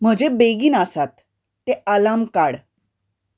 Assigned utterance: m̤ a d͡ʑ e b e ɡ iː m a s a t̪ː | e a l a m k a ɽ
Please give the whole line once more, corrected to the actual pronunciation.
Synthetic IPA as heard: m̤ ə d͡ʑ e b e ɡ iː n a s a t̪ː | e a l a m k a ɽ